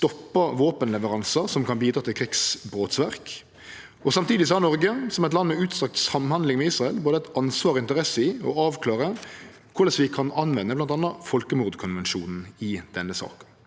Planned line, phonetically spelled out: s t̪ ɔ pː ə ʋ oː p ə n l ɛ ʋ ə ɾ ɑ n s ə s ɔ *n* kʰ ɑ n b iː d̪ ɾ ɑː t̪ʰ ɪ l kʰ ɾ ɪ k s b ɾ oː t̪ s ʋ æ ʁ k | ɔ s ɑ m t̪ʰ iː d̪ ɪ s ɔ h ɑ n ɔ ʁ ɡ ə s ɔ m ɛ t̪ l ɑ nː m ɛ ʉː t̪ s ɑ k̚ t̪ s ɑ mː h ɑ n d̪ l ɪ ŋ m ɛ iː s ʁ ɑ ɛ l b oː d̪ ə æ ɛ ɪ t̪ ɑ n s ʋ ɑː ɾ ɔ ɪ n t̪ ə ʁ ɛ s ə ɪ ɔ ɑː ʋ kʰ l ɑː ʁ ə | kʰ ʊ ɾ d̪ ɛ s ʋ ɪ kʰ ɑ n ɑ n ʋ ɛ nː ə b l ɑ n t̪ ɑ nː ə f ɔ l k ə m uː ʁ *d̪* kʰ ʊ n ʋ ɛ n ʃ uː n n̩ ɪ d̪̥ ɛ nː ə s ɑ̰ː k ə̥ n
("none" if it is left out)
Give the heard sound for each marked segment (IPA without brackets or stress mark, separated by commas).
m, d̪